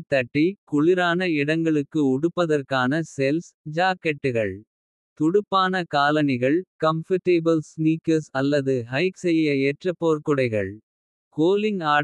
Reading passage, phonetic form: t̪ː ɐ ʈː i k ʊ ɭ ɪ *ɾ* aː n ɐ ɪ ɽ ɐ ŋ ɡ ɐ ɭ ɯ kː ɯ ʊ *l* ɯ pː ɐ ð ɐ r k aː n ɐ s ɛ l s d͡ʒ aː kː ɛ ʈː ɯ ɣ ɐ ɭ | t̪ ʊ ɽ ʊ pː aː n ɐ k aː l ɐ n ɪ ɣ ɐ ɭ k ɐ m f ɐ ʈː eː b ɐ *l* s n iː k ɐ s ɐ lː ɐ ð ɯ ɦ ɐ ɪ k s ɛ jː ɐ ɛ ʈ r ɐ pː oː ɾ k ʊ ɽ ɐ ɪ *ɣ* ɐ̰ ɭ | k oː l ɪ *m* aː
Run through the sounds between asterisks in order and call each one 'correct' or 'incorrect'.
correct, incorrect, correct, correct, incorrect

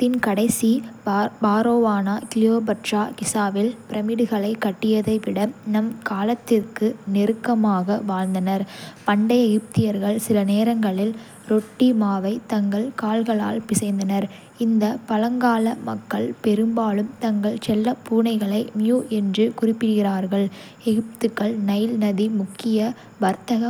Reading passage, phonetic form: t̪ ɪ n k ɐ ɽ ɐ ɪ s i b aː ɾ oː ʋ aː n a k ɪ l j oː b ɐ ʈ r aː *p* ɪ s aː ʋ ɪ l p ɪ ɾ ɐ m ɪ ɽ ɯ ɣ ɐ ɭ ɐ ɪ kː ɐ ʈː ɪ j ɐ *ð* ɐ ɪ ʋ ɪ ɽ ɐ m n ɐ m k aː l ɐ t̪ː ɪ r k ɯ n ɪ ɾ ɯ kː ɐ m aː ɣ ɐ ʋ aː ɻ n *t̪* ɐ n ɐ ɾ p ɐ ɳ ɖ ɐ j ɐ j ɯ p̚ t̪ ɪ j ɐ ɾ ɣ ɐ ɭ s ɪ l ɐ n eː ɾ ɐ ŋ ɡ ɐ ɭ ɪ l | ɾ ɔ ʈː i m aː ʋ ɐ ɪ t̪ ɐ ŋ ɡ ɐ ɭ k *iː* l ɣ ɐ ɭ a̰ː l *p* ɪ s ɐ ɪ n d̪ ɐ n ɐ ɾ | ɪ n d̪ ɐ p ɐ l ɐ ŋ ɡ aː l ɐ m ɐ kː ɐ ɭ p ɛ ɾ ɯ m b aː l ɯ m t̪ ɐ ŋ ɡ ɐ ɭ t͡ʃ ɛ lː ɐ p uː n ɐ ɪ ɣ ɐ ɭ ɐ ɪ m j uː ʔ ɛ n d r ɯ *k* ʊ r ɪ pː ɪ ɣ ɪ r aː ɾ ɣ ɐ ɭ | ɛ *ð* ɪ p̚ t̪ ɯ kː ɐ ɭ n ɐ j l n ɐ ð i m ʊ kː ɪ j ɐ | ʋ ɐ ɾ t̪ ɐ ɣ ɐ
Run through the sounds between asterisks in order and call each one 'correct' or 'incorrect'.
incorrect, correct, incorrect, incorrect, correct, correct, incorrect

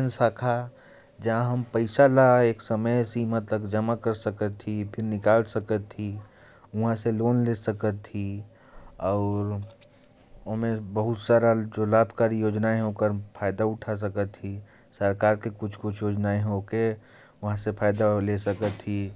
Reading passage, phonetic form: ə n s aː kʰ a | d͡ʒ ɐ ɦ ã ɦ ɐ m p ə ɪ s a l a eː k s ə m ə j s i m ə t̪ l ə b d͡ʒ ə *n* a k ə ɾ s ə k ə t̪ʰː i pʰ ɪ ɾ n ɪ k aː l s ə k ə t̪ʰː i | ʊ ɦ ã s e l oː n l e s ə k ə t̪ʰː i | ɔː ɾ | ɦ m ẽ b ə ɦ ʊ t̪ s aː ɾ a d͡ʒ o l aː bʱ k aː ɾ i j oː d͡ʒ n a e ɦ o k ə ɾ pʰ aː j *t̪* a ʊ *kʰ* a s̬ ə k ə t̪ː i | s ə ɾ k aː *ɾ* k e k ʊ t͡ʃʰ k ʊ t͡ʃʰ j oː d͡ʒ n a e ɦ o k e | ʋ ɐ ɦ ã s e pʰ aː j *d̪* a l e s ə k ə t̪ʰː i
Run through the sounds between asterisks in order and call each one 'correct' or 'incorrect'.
incorrect, incorrect, incorrect, correct, correct

